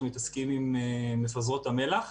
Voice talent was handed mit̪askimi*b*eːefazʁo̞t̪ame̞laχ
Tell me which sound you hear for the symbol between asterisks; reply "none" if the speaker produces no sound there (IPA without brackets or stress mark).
m